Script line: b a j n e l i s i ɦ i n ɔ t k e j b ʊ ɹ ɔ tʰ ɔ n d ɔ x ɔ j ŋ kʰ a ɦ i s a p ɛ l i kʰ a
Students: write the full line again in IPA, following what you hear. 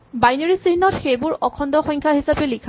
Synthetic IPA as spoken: b a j n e ɹ i s i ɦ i n ɔ t x e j b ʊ ɹ ɔ kʰ ɔ n d ɔ x ɔ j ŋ kʰ a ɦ i s a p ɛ l i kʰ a